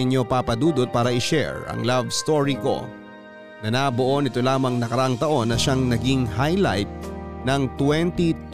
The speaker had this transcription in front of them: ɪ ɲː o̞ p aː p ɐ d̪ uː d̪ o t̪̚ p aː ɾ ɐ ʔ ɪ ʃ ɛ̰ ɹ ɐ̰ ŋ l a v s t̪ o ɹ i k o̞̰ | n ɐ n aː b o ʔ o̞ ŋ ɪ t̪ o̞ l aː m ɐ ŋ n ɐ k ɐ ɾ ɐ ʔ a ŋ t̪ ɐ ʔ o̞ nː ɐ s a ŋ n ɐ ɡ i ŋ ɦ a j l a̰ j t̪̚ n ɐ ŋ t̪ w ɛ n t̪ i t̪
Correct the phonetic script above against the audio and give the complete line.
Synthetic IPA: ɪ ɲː o̞ p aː p ɐ d̪ uː d̪ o t̪̚ p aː ɾ ɐ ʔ ɪ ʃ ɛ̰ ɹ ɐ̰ ŋ l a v s t̪ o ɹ i k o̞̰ | n ɐ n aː b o ʔ o̞ n ɪ t̪ o̞ l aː m ɐ ŋ n ɐ k ɐ ɾ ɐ ʔ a ŋ t̪ ɐ ʔ o̞ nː ɐ ʃ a ŋ n ɐ ɡ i ŋ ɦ a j l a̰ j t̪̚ n ɐ ŋ t̪ w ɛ n t̪ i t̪